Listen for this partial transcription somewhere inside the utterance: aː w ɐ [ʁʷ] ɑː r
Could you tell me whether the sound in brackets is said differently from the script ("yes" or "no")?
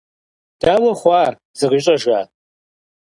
yes